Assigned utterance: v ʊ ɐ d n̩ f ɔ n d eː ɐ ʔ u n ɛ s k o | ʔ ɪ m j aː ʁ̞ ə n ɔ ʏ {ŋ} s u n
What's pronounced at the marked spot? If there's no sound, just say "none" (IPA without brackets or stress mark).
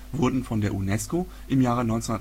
n